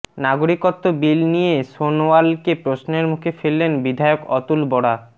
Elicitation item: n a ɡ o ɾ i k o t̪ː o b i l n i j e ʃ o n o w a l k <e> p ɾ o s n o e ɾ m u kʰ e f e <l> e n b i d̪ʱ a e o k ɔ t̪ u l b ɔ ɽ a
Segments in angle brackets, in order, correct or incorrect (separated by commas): correct, incorrect